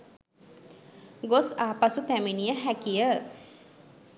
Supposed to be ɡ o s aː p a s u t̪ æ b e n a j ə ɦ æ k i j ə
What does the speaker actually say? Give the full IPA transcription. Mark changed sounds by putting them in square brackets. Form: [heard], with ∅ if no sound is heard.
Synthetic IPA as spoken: ɡ o s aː p a s u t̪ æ [m] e n [i] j ə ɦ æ k i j ə